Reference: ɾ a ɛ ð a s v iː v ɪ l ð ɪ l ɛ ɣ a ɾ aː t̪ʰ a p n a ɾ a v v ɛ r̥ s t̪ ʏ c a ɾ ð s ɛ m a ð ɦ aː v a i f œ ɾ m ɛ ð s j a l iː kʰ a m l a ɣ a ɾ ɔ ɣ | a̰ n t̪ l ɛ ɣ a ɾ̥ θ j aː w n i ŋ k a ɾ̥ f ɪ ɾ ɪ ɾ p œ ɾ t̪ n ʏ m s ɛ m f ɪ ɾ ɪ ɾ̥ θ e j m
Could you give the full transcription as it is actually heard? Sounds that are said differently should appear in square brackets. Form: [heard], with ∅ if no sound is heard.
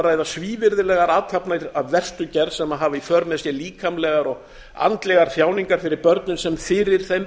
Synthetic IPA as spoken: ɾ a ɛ ð a s v iː v ɪ [ɾ] ð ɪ l ɛ ɣ a ɾ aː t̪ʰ a p n a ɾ a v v ɛ r̥ s t̪ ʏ c [ɛ] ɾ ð s ɛ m a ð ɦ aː v a i f œ ɾ m ɛ ð s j [ɛ] l iː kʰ a m l [ɛ] ɣ a ɾ ɔ ɣ | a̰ n t̪ l ɛ ɣ a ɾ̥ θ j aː w n i ŋ k a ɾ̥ f ɪ ɾ ɪ ɾ p œ ɾ t̪ n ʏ [n] s ɛ m f ɪ ɾ ɪ ɾ̥ θ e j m